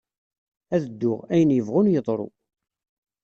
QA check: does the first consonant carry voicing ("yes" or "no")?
yes